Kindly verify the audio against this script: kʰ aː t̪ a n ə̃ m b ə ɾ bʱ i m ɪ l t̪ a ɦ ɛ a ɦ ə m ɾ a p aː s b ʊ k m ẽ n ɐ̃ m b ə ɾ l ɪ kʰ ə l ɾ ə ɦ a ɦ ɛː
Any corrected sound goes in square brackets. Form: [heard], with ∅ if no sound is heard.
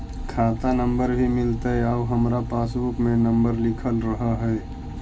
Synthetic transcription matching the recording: kʰ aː t̪ a n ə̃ m b ə ɾ bʱ i m ɪ l t̪ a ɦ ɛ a ɦ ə m ɾ a p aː s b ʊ k m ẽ n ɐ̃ m b ə ɾ l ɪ kʰ ə l ɾ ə ɦ a ɦ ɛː

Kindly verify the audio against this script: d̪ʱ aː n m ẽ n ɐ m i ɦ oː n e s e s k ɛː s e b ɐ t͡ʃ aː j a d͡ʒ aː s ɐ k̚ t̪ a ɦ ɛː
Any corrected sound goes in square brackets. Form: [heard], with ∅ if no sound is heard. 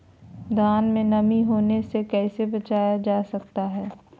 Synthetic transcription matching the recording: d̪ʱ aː n m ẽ n ɐ m i ɦ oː n e s e [∅] k ɛː s e b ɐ t͡ʃ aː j a d͡ʒ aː s ɐ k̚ t̪ a ɦ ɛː

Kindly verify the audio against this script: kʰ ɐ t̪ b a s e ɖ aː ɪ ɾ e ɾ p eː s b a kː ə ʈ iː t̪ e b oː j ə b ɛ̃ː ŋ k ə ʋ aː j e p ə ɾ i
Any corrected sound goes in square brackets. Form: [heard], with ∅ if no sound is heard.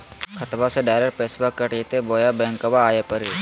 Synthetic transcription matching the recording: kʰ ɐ t̪ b a s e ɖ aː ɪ ɾ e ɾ p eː s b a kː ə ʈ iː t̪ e b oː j [a] b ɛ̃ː ŋ k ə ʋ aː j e p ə ɾ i

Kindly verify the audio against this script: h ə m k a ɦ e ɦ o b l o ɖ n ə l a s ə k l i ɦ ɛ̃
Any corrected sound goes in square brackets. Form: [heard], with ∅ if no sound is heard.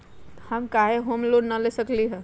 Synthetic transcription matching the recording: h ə m k a ɦ e ɦ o [m] l o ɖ n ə l [e] s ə k l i ɦ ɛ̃

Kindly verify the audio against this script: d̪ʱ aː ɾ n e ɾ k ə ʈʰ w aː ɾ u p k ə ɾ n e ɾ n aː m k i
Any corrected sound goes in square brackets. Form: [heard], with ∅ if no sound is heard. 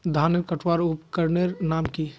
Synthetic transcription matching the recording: d̪ʱ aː [∅] n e ɾ k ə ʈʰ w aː ɾ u p k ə ɾ n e ɾ n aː m k i

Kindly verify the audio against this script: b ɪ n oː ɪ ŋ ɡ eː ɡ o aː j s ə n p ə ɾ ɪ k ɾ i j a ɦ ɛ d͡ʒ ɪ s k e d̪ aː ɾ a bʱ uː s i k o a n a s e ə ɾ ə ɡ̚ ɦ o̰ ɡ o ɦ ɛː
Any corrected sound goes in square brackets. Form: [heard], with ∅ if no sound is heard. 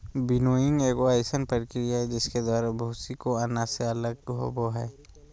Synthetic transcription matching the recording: b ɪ n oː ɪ ŋ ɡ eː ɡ o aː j s ə n p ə ɾ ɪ k ɾ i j a ɦ ɛ d͡ʒ ɪ s k e d̪ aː ɾ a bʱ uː s i k o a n a s e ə [l] ə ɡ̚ ɦ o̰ [b] o ɦ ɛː

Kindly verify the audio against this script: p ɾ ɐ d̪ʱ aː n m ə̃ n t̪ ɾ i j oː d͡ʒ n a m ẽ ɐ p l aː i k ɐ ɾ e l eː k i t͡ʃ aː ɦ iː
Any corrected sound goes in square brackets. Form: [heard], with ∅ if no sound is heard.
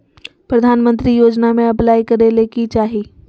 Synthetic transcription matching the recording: p ɾ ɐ d̪ʱ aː n m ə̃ n t̪ ɾ i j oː d͡ʒ n a m ẽ ɐ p l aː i k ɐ ɾ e l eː k i t͡ʃ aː ɦ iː

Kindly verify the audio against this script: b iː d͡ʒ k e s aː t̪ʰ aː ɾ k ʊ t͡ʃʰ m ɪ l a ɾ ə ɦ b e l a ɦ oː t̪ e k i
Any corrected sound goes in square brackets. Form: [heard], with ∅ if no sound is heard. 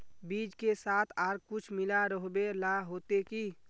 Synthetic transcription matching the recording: b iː d͡ʒ k e s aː t̪ʰ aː ɾ k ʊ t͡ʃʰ m ɪ l a ɾ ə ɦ b e l a ɦ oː t̪ e k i

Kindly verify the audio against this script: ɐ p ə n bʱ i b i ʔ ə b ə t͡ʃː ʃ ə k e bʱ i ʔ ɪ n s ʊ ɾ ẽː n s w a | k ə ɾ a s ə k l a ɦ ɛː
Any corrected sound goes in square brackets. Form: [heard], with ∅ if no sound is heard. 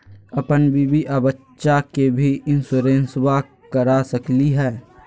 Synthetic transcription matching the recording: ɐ p ə n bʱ i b i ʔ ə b ə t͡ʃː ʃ [a] k e bʱ i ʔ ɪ n s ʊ ɾ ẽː n s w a | k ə ɾ a s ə k l [i] ɦ ɛː

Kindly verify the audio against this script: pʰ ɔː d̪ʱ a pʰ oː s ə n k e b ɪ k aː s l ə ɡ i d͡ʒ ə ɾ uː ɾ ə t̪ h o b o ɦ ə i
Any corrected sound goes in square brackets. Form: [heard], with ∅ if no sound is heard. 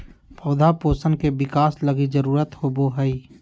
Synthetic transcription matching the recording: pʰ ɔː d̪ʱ a [p] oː s ə n k e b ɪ k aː s l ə ɡ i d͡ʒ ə ɾ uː ɾ ə t̪ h o b o ɦ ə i

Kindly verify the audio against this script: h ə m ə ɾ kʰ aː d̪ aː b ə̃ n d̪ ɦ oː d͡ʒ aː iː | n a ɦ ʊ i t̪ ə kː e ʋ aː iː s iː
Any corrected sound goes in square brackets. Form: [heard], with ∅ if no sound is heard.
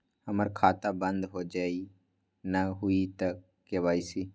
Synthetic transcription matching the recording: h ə m ə ɾ kʰ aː [t̪] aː b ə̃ n d̪ ɦ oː d͡ʒ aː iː | n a ɦ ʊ i t̪ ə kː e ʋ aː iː s iː

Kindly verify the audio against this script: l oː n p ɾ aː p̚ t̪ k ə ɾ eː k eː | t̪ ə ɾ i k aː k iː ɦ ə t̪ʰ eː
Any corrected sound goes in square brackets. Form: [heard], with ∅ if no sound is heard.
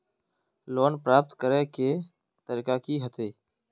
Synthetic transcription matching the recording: l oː n p ɾ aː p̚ t̪ k ə ɾ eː k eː | t̪ ə ɾ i k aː k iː ɦ ə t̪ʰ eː

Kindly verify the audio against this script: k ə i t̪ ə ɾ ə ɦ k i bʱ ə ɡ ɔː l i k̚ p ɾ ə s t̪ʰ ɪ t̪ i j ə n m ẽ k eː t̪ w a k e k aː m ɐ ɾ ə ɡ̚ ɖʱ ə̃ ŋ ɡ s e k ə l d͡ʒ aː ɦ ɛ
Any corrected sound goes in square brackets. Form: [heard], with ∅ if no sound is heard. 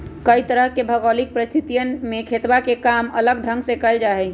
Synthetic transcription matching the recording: k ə i t̪ ə ɾ ə ɦ k [e] bʱ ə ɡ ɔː l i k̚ p ɾ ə s t̪ʰ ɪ t̪ i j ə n m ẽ [kʰ] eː t̪ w a k e k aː m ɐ [l] ə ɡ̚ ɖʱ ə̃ ŋ ɡ s e k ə l d͡ʒ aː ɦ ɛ

